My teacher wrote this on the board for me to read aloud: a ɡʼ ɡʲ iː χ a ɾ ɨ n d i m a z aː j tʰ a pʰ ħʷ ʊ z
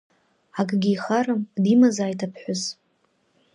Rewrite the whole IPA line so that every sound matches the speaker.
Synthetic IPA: a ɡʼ ɡʲ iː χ a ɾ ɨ m d i m a z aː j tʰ a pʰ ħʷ ʊ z